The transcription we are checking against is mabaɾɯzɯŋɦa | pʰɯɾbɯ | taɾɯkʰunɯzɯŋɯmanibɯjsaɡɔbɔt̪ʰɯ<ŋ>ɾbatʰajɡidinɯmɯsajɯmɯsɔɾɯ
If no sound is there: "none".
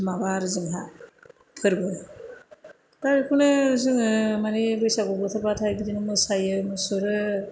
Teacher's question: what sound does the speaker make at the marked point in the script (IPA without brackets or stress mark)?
none